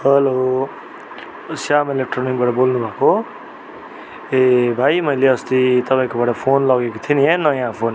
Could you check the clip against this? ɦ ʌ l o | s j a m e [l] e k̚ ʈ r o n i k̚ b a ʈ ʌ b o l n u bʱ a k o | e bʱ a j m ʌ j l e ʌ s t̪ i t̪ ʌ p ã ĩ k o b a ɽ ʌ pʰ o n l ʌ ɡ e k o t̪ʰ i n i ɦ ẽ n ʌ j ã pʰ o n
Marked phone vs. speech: correct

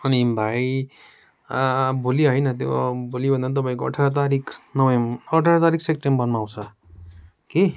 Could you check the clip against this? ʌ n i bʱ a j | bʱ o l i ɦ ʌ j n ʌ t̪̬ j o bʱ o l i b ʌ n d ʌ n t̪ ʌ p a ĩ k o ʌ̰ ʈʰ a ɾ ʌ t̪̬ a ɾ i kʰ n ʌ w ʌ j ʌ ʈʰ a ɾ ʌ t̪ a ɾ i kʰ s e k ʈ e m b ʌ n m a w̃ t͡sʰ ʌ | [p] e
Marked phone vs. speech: incorrect: k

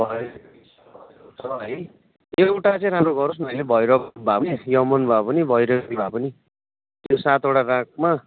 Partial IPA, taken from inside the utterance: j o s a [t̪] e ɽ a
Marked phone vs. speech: correct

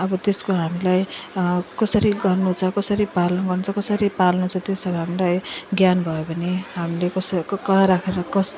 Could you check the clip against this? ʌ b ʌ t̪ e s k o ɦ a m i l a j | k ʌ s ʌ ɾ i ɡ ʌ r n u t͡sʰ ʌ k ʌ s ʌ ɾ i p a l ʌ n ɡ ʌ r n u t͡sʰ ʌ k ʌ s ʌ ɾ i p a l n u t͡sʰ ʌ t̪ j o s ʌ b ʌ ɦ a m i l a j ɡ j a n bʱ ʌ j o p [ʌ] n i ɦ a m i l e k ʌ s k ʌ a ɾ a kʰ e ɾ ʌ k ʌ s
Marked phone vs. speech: correct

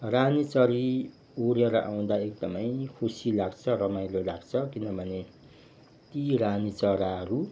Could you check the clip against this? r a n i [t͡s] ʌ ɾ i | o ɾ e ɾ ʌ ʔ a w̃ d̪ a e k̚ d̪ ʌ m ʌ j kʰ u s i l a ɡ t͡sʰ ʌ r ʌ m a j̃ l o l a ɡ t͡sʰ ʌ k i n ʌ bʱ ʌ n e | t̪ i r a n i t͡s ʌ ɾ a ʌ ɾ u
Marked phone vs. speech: correct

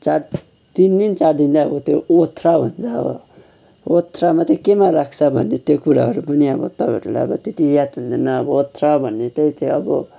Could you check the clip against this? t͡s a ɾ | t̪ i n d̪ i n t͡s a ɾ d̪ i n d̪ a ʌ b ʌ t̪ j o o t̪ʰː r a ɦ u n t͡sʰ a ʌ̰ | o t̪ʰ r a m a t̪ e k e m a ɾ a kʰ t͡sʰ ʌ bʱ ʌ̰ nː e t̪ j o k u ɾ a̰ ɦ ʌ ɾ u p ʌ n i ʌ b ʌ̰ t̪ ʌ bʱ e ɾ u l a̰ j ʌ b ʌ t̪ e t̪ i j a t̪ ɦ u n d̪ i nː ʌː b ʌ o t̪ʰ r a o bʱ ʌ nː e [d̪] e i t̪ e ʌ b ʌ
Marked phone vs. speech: incorrect: t̪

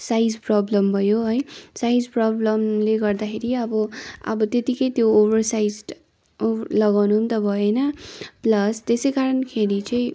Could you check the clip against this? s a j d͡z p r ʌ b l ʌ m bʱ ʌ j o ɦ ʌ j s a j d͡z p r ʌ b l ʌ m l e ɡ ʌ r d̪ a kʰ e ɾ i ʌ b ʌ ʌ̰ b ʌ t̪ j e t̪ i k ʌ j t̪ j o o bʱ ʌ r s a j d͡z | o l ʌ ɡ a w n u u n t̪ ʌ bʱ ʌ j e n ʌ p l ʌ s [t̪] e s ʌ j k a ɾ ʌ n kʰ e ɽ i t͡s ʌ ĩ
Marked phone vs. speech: correct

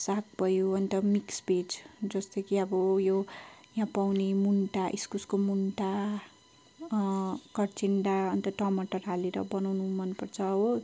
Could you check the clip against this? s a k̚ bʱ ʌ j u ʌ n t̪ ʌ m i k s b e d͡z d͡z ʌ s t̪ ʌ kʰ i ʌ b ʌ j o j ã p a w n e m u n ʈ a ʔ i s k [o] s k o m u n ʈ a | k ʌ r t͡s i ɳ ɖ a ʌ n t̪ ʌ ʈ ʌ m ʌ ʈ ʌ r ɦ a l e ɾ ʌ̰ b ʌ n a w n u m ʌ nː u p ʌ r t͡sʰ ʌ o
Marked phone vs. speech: incorrect: u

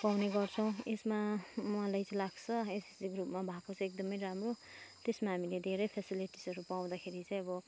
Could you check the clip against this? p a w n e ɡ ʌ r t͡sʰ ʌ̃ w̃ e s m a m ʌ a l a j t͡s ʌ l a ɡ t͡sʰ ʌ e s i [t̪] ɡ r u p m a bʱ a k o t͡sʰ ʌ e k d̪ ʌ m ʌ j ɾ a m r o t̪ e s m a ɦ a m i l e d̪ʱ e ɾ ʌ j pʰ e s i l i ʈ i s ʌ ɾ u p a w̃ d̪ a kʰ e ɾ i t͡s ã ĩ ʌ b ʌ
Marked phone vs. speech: incorrect: none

